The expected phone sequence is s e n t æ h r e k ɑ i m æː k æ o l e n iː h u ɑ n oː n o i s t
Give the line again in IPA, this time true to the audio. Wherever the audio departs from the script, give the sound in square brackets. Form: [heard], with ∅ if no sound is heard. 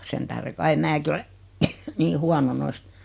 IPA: s e n t æ h r e k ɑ i m æː k [i] o l e n iː h u ɑ n [o] n o i s t

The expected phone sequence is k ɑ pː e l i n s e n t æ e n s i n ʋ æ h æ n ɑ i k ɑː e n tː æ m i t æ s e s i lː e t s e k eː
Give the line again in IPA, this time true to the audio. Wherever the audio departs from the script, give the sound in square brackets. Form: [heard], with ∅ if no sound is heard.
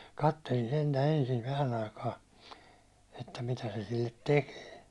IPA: k ɑ [tː] e l i n s e n t æ e n s i n ʋ æ h æ n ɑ i k ɑː e [∅] tː æ m i t æ s e s i lː e t [t] e k eː

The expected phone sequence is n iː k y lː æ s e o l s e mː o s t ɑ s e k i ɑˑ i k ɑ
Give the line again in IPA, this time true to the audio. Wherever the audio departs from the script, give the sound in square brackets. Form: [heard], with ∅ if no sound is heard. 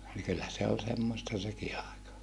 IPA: n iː k y lː æ s e o l s e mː o s t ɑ s e k i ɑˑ [e] k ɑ

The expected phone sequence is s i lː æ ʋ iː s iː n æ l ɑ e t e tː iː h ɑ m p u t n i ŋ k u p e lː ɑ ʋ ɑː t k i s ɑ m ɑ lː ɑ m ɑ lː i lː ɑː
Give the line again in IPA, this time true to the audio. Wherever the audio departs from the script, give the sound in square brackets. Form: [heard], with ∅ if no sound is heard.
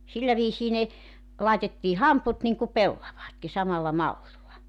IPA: s i lː æ ʋ iː s iː n [e] l ɑ e t e tː iː h ɑ m p u t n i ŋ k u p e lː ɑ ʋ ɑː t k i s ɑ m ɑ lː ɑ m ɑ lː i lː [ɑ]

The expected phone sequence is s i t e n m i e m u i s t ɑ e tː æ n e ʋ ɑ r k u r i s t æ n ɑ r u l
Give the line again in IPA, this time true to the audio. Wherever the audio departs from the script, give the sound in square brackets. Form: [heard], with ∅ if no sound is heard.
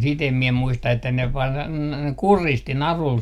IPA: s i t e [m] m i e m u i s t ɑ e tː æ n e ʋ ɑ r k u r i s t [i] n ɑ r u l

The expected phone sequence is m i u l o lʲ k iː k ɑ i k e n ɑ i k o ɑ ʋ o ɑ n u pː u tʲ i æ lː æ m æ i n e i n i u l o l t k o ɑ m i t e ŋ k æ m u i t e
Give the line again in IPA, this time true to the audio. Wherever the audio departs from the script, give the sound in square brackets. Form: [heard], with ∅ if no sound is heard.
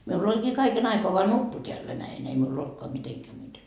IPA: m i u [lː] o lʲ k iː k ɑ i k e n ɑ i k o ɑ ʋ o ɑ n u pː u tʲ [e] æ lː æ [n] æ i n e i [m] i u l o l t k o ɑ m i t e ŋ k æ m u i t e

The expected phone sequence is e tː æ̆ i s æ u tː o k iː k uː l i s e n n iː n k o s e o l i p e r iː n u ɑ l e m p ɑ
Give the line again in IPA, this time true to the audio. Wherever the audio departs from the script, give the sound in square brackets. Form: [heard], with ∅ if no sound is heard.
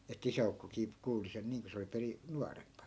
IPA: e tː æ̆ i s æ u [kː] o k iː k uː l i s e n n iː [ŋ] k o s e o l i p e r [i] n u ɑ [r] e m p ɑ

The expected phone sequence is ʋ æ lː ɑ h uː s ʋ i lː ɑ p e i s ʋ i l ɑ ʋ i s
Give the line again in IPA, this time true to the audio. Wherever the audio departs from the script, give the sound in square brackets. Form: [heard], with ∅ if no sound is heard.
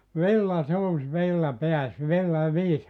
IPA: ʋ [i] lː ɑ [s] uː s ʋ i lː ɑ p e [æ] s ʋ i [lː] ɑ ʋ [iː] s

